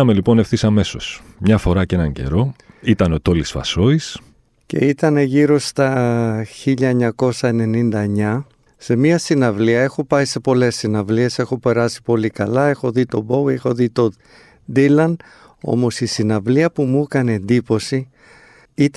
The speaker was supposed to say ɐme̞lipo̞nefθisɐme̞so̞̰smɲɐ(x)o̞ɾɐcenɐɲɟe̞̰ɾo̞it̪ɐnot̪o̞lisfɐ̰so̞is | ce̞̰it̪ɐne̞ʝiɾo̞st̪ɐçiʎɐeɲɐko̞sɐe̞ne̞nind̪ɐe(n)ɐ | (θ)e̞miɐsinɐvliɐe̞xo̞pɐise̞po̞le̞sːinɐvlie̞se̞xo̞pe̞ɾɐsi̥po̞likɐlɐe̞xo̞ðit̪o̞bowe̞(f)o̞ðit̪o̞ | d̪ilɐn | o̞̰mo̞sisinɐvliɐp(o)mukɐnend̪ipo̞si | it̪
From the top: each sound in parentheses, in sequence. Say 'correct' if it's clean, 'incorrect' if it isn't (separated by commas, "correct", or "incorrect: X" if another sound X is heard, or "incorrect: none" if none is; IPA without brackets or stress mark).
incorrect: f, incorrect: ɲ, incorrect: s, incorrect: x, incorrect: u